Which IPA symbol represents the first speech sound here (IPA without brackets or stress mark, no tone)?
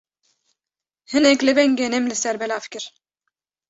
h